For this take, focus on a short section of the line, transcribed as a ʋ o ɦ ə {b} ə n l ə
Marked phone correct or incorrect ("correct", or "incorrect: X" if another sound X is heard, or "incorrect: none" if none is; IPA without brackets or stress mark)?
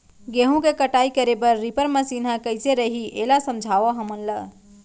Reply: incorrect: m